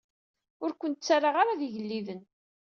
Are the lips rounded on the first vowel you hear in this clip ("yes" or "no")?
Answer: yes